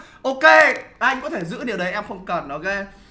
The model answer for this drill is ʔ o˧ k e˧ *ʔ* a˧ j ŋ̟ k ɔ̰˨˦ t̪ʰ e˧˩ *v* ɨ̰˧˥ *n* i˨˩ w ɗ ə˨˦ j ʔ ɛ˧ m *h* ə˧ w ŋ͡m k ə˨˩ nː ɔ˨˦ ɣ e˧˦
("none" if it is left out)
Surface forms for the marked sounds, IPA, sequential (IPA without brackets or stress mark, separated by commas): ʔ, z, n, x